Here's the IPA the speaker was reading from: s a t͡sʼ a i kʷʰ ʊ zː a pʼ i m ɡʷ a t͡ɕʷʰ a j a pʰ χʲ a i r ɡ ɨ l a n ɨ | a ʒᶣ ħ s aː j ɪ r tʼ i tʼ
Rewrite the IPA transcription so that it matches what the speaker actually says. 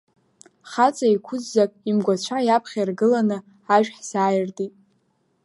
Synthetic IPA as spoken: χ a t͡sʼ a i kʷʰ ʊ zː a kʼ i m ɡʷ a t͡ɕʷʰ a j a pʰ χʲ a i r ɡ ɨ l a n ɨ | a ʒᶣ ħ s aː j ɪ r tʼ i tʼ